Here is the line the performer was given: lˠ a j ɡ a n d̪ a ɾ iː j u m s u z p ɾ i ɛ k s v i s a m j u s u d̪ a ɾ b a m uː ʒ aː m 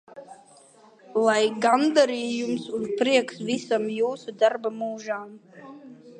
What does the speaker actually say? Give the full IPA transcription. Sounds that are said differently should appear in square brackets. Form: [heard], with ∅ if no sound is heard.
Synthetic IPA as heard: lˠ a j ɡ a n d̪ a ɾ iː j u m s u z p ɾ i ɛ k s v i s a m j [uː] s u d̪ a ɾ b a m uː ʒ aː m

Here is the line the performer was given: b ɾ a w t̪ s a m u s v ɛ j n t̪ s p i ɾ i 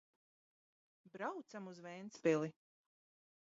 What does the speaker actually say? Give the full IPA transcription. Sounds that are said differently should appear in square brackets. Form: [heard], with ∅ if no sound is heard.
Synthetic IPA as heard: b ɾ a w t̪ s a m u [z] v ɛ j n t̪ s p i [l] i

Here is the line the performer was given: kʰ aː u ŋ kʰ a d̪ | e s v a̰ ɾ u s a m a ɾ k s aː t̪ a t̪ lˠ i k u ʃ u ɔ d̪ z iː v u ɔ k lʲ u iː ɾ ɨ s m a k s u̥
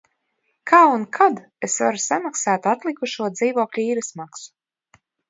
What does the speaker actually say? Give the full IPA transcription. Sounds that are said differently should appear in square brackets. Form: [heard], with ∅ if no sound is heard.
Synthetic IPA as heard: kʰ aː u [n] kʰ a d̪ | e s v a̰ ɾ u s a m a [∅] k s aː t̪ a t̪ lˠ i k u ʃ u ɔ d̪ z iː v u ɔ k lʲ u iː ɾ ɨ s m a k s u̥

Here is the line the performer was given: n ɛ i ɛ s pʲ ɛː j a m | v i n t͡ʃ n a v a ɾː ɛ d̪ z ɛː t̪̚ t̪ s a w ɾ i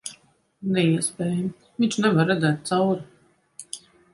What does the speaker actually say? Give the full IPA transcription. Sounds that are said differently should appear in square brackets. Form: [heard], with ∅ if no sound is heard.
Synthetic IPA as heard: n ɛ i ɛ s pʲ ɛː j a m | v i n t͡ʃ n [ɛ] v a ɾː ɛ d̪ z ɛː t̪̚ t̪ s a w ɾ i

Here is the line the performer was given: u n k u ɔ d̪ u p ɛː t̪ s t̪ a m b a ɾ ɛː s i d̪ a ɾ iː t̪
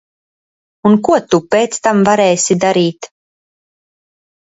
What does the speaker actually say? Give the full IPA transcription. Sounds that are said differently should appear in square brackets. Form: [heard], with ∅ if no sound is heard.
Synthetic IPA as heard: u n k u ɔ [t̪] u p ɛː t̪ s t̪ a m [v] a ɾ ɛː s i d̪ a ɾ iː t̪

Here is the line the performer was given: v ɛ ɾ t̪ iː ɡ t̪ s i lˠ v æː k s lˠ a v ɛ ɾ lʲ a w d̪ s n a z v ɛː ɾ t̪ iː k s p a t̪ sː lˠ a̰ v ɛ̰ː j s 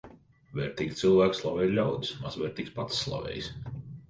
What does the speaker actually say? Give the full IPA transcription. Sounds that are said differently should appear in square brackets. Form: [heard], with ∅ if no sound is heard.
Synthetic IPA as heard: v ɛ ɾ t̪ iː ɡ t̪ s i lˠ v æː k s lˠ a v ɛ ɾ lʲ a w d̪ s [m] a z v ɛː ɾ t̪ iː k s p a t̪ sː lˠ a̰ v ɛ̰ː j s

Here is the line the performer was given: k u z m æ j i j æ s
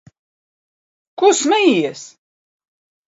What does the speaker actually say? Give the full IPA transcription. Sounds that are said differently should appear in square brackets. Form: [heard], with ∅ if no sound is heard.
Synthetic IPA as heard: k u [s] m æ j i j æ s

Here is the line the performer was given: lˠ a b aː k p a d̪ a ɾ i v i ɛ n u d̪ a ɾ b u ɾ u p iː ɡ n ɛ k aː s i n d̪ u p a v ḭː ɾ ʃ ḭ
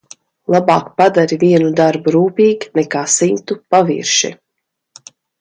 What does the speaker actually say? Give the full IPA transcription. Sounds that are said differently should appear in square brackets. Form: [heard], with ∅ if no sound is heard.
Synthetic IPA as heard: lˠ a b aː k p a d̪ a ɾ i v i ɛ n u d̪ a ɾ b u ɾ [uː] p iː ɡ n ɛ k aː s i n [t̪] u p a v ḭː ɾ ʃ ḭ

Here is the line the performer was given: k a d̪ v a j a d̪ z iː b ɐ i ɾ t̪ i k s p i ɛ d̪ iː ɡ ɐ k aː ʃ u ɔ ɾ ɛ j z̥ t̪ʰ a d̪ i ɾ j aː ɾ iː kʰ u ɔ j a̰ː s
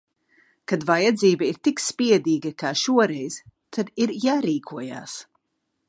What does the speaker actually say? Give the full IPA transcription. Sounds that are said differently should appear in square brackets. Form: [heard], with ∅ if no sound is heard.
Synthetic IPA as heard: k a d̪ v a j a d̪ z iː b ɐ i ɾ t̪ i k s p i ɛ d̪ iː ɡ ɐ k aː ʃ u ɔ ɾ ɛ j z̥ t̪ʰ a d̪ i ɾ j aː ɾ iː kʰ u ɔ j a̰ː s

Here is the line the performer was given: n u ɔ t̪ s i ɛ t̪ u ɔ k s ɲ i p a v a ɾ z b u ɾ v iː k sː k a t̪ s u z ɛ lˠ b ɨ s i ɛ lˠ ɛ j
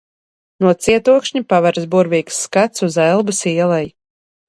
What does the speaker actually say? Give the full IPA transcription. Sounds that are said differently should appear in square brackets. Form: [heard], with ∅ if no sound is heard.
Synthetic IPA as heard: n u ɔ t̪ s i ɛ t̪ u ɔ k [ʃ] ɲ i p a v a ɾ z b u ɾ v iː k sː k a t̪ s u z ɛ lˠ b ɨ s i ɛ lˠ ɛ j

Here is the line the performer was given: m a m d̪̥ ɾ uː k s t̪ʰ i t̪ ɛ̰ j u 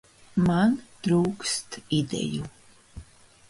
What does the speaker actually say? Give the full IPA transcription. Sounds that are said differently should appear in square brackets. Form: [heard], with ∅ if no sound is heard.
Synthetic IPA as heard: m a [n] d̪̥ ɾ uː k s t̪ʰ i [d̪] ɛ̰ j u

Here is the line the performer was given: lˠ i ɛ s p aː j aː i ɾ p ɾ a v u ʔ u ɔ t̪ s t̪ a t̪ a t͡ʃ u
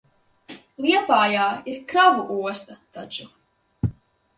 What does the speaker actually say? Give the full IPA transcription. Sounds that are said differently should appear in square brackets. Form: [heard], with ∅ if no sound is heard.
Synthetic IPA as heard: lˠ i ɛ [∅] p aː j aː i ɾ [k] ɾ a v u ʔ u ɔ [∅] s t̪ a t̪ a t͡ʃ u

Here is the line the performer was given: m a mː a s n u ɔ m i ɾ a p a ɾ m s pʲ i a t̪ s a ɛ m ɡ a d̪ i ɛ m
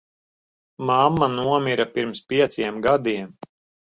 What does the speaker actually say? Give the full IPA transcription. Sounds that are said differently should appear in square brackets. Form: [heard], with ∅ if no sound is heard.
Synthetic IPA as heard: m a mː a [∅] n u ɔ m i ɾ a p [i] ɾ m s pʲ i [ɛ] t̪ s [i] ɛ m ɡ a d̪ i ɛ m

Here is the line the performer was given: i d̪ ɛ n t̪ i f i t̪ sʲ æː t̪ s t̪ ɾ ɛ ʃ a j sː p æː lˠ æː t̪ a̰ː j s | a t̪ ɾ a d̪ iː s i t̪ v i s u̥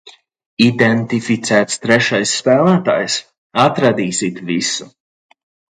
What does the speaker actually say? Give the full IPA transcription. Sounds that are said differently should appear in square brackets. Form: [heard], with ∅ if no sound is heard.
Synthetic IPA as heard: i d̪ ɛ n t̪ i f i t̪ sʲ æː t̪ s t̪ ɾ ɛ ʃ a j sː p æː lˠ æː t̪ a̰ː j s | a t̪ ɾ a d̪ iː s i t̪ v i s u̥

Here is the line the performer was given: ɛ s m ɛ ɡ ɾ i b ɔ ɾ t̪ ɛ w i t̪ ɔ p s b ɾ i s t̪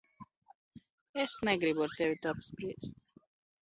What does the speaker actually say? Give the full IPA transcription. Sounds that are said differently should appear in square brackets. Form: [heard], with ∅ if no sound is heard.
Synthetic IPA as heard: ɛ s [n] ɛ ɡ ɾ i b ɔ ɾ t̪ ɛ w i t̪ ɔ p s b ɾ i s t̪

